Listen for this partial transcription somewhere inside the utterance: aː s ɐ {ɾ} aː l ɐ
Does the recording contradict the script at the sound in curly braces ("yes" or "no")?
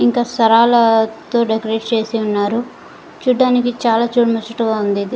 no